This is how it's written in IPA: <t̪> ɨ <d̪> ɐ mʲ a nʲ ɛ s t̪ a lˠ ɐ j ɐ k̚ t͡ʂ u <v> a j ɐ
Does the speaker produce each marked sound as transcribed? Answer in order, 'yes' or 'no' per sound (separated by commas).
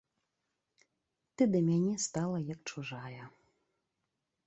yes, yes, no